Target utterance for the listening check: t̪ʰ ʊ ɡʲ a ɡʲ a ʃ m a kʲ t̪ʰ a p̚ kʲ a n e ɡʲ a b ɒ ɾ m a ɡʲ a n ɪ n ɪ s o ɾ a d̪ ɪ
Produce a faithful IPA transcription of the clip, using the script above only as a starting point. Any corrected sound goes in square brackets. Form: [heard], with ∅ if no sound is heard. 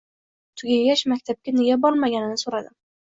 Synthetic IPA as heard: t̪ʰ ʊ ɡʲ a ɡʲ a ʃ m a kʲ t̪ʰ a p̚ kʲ a n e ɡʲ a b ɒ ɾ m a ɡʲ a n ɪ n ɪ s o ɾ a d̪ ɪ